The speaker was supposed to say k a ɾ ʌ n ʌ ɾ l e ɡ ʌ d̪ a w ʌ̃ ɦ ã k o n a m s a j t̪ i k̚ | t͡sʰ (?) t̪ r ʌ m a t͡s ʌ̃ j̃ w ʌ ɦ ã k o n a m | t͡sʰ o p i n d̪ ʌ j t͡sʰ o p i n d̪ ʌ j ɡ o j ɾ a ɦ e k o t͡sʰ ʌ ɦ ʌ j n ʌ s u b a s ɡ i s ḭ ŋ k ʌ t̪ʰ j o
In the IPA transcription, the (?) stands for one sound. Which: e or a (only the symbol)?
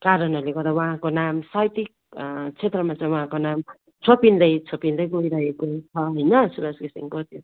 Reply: e